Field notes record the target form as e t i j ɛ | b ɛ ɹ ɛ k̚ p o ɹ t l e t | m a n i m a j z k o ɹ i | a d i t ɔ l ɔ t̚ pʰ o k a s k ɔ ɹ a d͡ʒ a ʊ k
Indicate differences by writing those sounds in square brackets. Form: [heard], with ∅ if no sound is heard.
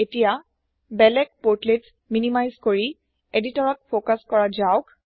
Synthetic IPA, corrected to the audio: e t i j [a] | b ɛ [l] ɛ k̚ p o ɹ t l e t | m [i] n i m a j z k o ɹ i | [e] d i t ɔ [ɹ] ɔ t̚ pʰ o k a s k ɔ ɹ a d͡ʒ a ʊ k